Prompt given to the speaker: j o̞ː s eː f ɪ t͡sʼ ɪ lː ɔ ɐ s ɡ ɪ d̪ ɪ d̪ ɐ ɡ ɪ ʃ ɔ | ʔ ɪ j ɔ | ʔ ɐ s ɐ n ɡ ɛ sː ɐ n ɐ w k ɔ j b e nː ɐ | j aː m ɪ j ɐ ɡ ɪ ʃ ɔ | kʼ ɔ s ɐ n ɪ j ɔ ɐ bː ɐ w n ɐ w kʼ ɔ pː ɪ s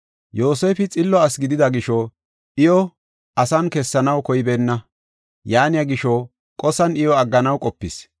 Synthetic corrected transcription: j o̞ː s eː f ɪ t͡sʼ ɪ lː ɔ ɐ s ɡ ɪ d̪ ɪ d̪ ɐ ɡ ɪ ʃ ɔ | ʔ ɪ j ɔ | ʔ ɐ s ɐ n k ɛ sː ɐ n ɐ w k ɔ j b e nː ɐ | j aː n ɪ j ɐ ɡ ɪ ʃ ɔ | kʼ ɔ s ɐ n ɪ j ɔ ɐ ɡː ɐ n ɐ w kʼ ɔ pː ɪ s